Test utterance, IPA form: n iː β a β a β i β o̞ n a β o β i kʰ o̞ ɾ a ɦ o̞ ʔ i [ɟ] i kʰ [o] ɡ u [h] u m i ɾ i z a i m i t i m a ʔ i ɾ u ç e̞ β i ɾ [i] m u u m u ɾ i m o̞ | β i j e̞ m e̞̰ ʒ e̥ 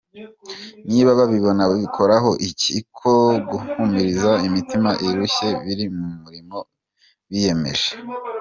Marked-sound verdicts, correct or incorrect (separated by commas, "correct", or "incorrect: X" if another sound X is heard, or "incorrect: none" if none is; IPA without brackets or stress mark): incorrect: c, correct, correct, correct